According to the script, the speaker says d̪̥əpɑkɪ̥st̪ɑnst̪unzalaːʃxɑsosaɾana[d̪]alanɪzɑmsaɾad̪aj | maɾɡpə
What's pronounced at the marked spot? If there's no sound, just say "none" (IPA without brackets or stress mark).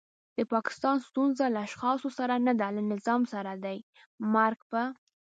d̪